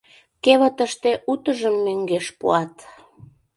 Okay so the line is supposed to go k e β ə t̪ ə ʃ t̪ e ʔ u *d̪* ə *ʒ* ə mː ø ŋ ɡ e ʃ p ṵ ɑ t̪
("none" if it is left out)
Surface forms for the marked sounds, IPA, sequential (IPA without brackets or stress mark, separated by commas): t̪, ʒ